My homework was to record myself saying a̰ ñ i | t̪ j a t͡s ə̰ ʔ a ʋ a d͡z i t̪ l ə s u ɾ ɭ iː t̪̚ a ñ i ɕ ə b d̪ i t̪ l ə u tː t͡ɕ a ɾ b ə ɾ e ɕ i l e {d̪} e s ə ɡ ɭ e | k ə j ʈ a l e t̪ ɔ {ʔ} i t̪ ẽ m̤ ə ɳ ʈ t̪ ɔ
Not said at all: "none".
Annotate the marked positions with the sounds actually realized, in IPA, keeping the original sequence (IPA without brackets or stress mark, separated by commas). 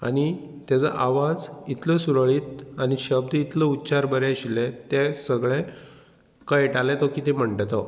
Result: t̪, k